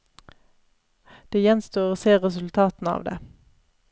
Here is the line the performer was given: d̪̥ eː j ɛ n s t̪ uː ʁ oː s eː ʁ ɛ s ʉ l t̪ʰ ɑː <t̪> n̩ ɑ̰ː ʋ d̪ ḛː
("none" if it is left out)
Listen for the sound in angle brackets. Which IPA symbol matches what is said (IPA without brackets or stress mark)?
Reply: t̪